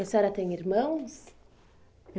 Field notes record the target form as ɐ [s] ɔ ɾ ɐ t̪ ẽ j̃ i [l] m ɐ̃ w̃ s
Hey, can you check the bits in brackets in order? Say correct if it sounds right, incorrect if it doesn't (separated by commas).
correct, incorrect